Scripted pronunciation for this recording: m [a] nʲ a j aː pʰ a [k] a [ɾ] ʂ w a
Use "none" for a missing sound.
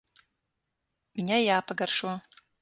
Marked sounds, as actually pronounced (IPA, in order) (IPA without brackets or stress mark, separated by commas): i, ɡ, r